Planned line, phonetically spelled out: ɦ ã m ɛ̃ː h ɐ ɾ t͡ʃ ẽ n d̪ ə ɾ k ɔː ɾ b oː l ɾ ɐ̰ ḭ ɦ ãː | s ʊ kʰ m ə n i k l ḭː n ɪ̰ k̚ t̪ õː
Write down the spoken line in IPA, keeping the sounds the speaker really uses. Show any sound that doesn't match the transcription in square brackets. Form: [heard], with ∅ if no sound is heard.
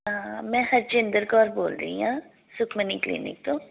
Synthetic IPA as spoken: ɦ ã m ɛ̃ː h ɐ ɾ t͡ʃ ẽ n d̪ ə ɾ k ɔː ɾ b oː l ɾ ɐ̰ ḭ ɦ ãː | s ʊ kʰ m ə n i k l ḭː n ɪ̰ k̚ t̪ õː

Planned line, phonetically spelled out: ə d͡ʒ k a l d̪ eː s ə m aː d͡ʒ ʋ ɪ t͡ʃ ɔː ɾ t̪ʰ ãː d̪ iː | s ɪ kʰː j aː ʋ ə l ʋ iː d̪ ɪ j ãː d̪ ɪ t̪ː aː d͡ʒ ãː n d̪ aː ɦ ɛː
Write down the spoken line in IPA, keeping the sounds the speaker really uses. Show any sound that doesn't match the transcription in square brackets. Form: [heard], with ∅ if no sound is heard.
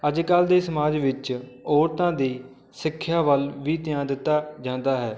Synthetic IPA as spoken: ə d͡ʒ k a l d̪ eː s ə m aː d͡ʒ ʋ ɪ t͡ʃ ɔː ɾ [t̪] ãː d̪ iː | s ɪ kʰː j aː ʋ ə l ʋ iː [t̪] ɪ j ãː d̪ ɪ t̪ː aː d͡ʒ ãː n d̪ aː ɦ ɛː

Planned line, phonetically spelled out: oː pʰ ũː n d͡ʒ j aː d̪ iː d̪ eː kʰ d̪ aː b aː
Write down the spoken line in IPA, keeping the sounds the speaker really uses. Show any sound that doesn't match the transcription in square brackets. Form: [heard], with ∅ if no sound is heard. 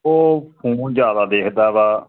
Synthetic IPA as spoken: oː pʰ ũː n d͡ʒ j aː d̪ [aː] d̪ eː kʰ d̪ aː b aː

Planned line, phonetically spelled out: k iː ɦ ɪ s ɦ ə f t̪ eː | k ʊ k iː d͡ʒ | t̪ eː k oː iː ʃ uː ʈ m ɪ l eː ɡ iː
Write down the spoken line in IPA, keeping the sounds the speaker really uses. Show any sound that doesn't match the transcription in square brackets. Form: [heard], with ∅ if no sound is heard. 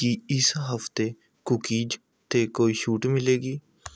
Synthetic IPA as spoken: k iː [∅] ɪ s ɦ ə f t̪ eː | k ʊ k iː d͡ʒ | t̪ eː k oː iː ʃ uː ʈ m ɪ l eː ɡ iː

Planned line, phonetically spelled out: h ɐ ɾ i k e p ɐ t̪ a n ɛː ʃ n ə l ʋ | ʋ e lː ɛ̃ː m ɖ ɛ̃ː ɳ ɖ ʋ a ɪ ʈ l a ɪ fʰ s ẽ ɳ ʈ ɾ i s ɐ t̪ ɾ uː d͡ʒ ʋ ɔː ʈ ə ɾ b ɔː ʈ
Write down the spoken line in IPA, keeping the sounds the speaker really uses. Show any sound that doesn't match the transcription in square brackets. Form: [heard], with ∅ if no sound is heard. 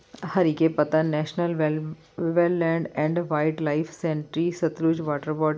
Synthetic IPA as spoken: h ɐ ɾ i k e p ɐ t̪ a n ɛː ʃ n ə l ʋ | ʋ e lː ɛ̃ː [ɳ] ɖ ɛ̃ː ɳ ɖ ʋ a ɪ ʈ l a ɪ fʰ s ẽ ɳ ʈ ɾ i s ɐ t̪ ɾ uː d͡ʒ ʋ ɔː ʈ ə ɾ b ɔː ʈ

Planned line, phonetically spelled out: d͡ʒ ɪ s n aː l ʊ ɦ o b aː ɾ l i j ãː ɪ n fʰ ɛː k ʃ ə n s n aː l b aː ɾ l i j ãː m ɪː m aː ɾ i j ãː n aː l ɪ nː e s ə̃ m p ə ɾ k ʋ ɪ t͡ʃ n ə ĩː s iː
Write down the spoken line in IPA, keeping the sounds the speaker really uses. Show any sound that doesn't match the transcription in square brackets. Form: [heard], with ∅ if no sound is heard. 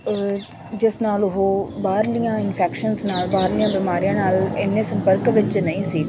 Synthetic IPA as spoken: d͡ʒ ɪ s n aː l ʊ ɦ o b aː ɾ l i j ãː ɪ n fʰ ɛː k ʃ ə n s n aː l b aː ɾ l i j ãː [b] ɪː m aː ɾ i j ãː n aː l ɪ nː e s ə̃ m p ə ɾ k ʋ ɪ t͡ʃ n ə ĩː s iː

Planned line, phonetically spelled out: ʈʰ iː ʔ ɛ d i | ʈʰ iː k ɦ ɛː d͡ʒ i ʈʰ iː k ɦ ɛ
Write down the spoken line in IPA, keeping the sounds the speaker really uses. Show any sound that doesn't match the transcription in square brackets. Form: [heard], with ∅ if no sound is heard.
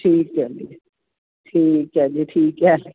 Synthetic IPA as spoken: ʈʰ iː [k] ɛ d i | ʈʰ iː k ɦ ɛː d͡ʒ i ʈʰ iː k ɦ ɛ

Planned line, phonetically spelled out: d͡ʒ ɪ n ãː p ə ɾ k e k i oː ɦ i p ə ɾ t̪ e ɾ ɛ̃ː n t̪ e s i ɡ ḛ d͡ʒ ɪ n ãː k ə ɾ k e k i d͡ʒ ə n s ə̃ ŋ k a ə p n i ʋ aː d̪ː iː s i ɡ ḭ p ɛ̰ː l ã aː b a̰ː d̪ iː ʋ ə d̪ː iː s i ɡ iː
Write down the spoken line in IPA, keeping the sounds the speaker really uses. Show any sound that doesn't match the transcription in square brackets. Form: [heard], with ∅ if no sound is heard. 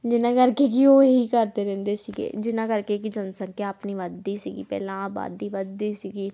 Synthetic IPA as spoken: d͡ʒ ɪ n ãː [k] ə ɾ k e k i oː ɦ i [k] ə ɾ t̪ e ɾ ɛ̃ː n [d̪] e s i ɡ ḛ d͡ʒ ɪ n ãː k ə ɾ k e k i d͡ʒ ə n s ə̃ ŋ k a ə p n i ʋ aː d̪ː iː s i ɡ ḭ p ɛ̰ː l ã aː b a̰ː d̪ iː ʋ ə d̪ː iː s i ɡ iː

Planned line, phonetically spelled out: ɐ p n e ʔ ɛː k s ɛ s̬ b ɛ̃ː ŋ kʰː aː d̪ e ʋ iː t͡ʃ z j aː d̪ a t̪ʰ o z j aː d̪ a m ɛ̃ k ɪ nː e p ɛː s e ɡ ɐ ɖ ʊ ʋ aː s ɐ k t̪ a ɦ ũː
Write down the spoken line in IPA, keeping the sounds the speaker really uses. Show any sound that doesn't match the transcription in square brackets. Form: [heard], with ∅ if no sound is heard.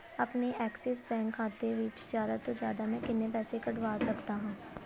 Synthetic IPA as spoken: ɐ p n e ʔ ɛː k s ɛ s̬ b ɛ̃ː ŋ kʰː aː [t̪] e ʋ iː t͡ʃ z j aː d̪ a [t̪] o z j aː d̪ a m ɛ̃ k ɪ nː e p ɛː s e [k] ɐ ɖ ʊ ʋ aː s ɐ k t̪ a ɦ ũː

